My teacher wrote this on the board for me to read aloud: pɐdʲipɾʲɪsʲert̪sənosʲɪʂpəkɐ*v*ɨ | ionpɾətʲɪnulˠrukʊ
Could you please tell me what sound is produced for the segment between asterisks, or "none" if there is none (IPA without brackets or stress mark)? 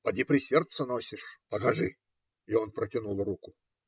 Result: ʐ